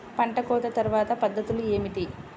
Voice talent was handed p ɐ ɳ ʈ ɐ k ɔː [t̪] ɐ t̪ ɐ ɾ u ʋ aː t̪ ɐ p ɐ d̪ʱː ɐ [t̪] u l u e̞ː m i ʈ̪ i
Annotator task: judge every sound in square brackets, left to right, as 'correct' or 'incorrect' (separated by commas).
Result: correct, correct